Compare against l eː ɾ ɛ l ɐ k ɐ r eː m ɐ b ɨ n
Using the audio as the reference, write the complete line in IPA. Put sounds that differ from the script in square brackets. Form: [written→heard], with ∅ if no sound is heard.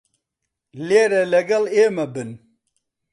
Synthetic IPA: l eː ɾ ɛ l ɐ [k→ɡ] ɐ [r→l] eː m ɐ b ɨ n

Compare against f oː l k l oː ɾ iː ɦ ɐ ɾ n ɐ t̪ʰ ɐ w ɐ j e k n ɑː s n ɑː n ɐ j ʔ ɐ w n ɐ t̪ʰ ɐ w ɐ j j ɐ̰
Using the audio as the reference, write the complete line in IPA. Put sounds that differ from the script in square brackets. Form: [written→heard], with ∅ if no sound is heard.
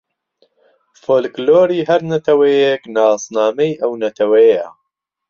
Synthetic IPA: f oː l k l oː ɾ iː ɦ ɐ ɾ n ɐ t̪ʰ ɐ w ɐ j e k n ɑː s n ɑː [n→m] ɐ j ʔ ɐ w n ɐ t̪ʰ ɐ w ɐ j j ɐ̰

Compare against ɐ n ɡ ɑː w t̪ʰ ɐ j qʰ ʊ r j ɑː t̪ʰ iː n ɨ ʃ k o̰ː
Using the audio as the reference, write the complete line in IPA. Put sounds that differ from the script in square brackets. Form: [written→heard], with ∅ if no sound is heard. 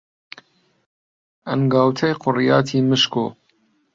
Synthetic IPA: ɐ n ɡ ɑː w t̪ʰ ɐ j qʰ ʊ r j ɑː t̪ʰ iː [n→m] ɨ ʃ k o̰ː

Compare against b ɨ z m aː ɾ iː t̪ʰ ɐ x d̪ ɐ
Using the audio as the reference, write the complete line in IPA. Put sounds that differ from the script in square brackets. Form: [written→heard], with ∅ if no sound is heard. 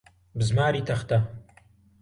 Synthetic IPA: b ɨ z m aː ɾ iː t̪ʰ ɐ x [d̪→t̪] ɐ

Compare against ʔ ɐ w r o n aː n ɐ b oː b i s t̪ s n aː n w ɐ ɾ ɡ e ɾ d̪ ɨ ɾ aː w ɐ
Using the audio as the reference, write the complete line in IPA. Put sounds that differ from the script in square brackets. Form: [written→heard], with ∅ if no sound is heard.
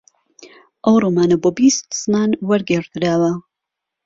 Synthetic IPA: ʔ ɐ w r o [n→m] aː n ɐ b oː b i s t̪ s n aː n w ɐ ɾ ɡ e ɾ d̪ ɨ ɾ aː w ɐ

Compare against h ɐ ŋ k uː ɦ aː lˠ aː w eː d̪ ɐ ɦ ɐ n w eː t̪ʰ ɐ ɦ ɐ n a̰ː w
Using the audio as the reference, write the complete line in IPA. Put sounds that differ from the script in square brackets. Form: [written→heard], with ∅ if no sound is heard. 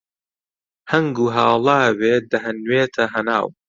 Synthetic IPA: h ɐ ŋ [k→ɡ] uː ɦ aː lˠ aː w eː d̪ ɐ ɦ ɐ n w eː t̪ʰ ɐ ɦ ɐ n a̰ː w

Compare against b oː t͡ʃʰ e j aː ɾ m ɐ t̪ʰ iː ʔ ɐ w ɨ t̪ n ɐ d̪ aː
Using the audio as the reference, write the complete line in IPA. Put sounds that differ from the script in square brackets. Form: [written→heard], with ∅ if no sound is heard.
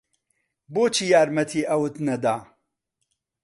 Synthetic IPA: b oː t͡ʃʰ [e→i] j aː ɾ m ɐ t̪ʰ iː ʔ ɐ w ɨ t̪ n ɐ d̪ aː

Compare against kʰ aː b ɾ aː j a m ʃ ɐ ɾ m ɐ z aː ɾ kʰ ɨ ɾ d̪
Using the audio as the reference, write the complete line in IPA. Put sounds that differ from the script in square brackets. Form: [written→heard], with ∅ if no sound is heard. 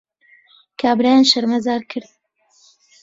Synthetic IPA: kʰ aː b ɾ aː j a [m→n] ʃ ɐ ɾ m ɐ z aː ɾ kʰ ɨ ɾ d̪

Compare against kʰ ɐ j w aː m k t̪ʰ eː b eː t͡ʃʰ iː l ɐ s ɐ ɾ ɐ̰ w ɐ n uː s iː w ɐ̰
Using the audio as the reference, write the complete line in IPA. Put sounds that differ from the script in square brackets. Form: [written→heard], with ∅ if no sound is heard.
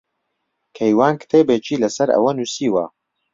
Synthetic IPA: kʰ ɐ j w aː [m→n] k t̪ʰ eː b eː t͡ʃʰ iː l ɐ s ɐ ɾ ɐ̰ w ɐ n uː s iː w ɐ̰

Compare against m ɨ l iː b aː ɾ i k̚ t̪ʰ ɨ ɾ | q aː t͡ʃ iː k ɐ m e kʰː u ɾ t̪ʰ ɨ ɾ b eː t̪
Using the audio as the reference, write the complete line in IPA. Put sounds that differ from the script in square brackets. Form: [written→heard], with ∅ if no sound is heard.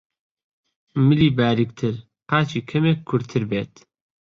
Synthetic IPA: m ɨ l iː b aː ɾ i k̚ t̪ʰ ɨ ɾ | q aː t͡ʃ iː [k→kʰ] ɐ m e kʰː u ɾ t̪ʰ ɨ ɾ b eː t̪

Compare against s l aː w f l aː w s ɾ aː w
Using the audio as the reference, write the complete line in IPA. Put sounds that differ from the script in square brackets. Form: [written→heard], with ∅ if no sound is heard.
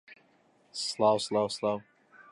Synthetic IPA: s l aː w [f→s] l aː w s [ɾ→l] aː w

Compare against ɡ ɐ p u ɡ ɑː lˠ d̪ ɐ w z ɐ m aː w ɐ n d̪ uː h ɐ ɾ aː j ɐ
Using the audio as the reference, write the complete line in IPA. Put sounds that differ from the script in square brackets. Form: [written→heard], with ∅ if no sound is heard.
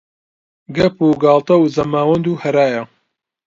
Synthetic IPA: ɡ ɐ p u ɡ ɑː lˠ [d̪→t̪] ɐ w z ɐ m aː w ɐ n d̪ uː h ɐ ɾ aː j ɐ

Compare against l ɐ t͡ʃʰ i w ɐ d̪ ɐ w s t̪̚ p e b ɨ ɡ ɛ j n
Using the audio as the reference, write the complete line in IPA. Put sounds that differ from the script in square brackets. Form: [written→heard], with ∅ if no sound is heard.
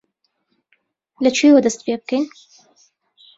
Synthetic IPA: l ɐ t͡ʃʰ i w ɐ d̪ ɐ [w→∅] s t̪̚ p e b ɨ [ɡ→k] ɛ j n

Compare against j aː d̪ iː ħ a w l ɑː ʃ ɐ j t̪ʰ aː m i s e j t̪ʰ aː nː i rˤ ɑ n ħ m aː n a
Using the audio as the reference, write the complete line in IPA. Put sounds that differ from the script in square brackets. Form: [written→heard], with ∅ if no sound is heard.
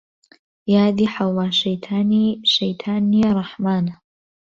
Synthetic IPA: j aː d̪ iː ħ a w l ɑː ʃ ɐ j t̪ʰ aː [m→n] i [s→ʃ] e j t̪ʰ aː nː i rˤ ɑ [n→∅] ħ m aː n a

